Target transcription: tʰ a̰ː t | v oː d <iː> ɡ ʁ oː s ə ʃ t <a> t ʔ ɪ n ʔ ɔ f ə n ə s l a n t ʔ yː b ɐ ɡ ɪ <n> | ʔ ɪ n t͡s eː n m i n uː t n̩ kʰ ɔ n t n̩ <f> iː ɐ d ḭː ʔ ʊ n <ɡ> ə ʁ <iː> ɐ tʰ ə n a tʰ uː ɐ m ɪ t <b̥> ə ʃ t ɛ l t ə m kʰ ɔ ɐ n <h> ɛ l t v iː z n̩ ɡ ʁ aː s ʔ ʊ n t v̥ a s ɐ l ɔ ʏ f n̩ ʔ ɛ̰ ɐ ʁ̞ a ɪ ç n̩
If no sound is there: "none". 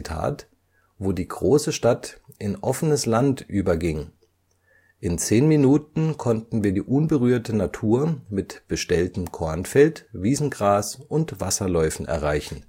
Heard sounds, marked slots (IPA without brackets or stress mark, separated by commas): iː, a, ŋ, v, b, yː, b̥, f